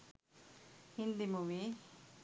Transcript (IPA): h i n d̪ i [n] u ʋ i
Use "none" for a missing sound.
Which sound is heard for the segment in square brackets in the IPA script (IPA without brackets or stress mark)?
m